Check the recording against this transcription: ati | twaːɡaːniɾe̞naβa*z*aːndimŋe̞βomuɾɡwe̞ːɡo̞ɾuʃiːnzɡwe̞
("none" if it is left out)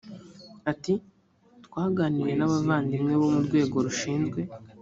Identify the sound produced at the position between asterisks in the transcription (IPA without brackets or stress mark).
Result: v